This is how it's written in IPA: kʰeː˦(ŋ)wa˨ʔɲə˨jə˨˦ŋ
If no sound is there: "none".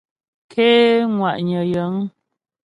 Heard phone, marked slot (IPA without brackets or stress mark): ŋ